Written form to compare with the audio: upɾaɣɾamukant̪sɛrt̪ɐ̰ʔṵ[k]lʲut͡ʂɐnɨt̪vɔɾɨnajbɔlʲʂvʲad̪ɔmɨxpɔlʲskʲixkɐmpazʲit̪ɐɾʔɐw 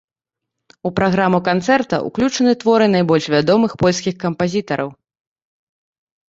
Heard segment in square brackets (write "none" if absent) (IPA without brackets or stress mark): k